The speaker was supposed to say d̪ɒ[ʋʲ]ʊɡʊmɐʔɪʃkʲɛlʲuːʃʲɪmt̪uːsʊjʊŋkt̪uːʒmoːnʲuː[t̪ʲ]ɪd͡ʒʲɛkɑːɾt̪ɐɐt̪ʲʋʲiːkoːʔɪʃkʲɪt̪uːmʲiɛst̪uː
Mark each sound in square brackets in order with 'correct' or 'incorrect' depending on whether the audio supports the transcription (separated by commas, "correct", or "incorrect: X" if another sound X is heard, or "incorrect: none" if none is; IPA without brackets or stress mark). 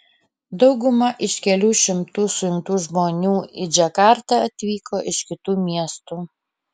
incorrect: none, incorrect: none